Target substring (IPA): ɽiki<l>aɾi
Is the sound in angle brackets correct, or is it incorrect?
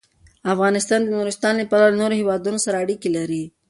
correct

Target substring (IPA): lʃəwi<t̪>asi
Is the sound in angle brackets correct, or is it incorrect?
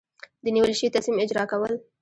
correct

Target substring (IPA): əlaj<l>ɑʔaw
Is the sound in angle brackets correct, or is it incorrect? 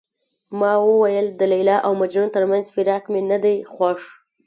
correct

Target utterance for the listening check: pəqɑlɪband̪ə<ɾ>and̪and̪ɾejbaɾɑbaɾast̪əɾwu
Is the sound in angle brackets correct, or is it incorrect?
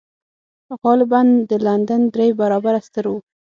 incorrect: l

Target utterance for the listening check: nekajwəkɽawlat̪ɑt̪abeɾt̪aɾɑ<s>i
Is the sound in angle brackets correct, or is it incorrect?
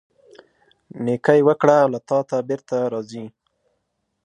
incorrect: z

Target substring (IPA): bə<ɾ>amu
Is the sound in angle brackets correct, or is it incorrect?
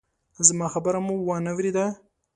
correct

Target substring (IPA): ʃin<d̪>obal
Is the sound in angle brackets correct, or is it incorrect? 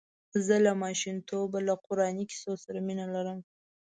incorrect: t̪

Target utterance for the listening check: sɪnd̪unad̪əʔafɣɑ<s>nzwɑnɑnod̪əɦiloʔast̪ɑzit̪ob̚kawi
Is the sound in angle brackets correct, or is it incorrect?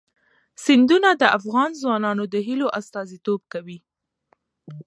incorrect: none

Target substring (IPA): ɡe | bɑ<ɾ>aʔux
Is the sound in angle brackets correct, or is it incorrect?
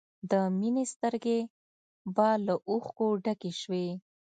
incorrect: l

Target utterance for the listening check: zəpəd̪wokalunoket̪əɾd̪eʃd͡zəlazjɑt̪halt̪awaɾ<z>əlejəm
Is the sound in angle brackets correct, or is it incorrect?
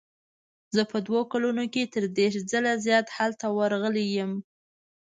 incorrect: ɣ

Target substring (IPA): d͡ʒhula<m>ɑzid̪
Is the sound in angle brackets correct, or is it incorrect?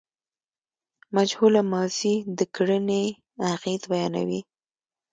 correct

